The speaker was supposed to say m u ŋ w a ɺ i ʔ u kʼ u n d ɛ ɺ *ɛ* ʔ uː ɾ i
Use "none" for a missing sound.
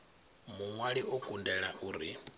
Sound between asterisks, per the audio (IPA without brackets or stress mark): a